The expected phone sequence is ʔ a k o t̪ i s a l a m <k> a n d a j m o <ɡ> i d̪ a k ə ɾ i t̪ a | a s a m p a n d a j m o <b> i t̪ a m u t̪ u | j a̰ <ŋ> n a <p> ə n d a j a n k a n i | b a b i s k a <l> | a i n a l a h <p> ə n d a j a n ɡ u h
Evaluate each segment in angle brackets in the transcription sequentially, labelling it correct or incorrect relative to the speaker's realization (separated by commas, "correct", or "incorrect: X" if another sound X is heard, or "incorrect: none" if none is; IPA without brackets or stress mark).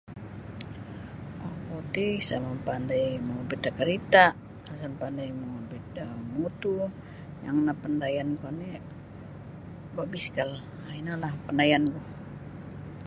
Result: incorrect: p, incorrect: b, correct, correct, correct, correct, correct